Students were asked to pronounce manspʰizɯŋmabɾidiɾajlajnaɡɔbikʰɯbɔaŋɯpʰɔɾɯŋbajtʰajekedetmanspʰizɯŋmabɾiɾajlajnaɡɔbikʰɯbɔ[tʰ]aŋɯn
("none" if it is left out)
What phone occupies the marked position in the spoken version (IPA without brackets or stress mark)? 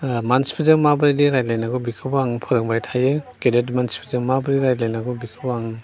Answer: none